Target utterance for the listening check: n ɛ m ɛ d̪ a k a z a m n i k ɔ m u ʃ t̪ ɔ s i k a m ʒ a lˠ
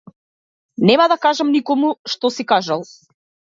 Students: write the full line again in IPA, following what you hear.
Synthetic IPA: n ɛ m a d̪ a k a ʒ a m n i k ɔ m u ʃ t̪ ɔ s i k a ʒ a lˠ